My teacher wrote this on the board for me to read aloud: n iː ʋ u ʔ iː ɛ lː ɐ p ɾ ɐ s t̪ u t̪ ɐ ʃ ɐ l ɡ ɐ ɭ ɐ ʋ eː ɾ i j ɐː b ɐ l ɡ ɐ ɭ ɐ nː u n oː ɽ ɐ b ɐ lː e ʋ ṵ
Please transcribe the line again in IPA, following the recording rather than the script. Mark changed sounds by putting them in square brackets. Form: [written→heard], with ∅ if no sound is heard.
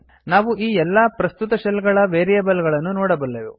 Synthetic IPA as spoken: n [iː→aː] ʋ u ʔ iː ɛ lː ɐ p ɾ ɐ s t̪ u t̪ ɐ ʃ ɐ l ɡ ɐ ɭ ɐ ʋ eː ɾ i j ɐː b ɐ l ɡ ɐ ɭ ɐ nː u n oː ɽ ɐ b ɐ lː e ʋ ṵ